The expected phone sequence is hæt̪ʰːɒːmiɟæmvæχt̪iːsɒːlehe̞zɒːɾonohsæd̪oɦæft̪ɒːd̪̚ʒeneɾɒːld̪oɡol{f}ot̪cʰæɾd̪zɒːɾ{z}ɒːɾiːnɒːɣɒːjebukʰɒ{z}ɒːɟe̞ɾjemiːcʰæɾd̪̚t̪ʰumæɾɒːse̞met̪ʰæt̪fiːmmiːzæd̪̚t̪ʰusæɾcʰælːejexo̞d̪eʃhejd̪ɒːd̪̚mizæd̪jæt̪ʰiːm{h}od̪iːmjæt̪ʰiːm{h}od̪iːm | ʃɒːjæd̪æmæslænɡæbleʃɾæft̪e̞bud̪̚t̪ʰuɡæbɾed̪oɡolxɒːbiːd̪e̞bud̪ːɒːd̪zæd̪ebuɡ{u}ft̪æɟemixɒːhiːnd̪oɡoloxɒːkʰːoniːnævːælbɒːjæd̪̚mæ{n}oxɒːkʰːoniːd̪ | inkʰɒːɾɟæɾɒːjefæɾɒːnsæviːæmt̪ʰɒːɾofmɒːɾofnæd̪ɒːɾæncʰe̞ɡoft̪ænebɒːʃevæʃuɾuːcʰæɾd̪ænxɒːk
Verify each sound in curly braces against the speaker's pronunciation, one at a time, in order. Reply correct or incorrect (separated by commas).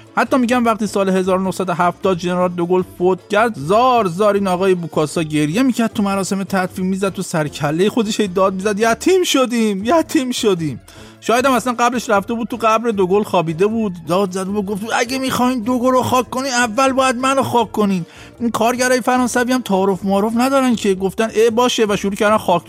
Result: correct, correct, incorrect, incorrect, incorrect, incorrect, correct